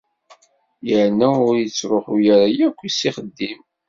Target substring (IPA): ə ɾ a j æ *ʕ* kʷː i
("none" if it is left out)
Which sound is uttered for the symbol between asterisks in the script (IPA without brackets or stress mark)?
none